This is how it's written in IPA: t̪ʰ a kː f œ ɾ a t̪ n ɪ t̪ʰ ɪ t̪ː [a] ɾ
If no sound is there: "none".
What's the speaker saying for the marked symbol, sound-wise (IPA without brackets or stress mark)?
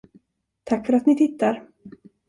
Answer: a